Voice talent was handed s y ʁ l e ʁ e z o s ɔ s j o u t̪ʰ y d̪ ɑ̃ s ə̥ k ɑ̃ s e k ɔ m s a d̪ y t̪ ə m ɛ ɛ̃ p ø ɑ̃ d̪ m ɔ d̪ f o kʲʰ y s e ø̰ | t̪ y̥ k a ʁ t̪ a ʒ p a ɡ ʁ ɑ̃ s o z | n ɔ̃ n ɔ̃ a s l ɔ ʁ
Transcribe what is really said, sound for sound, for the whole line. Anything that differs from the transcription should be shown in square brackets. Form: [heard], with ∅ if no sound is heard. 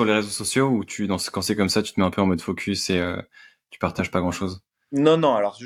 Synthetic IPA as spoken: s y ʁ l e ʁ e z o s ɔ s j o u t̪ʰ y d̪ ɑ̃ s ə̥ k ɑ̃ s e k ɔ m s a [t̪] y t̪ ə m ɛ ɛ̃ p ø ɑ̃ [∅] m ɔ d̪ f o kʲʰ y s e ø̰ | t̪ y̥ [p] a ʁ t̪ a ʒ p a ɡ ʁ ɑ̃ [ʃ] o z | n ɔ̃ n ɔ̃ a [∅] l ɔ ʁ